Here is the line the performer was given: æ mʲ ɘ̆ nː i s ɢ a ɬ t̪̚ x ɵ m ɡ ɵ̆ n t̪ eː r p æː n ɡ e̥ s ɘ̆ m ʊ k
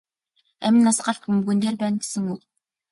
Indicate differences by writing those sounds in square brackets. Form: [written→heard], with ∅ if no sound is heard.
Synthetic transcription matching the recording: æ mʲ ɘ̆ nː [i→a] s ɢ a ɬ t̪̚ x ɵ m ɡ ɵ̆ n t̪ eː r p æː n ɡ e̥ s ɘ̆ [m→ŋ] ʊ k